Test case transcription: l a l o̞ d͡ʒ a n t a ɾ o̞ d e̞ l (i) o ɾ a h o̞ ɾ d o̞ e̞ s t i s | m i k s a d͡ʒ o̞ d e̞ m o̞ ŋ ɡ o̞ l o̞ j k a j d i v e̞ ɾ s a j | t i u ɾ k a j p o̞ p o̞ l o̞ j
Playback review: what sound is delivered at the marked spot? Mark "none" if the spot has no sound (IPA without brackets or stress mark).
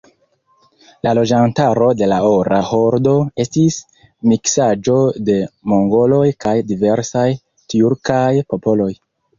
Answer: a